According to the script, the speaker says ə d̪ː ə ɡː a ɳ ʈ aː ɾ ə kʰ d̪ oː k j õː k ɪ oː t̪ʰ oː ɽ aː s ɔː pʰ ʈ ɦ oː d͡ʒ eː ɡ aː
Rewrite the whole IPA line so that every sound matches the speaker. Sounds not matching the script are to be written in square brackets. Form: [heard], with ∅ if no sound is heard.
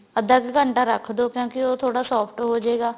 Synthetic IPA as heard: ə [d̪] ə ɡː [ə] ɳ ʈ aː ɾ ə kʰ d̪ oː k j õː k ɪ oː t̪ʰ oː ɽ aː s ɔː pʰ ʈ ɦ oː d͡ʒ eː ɡ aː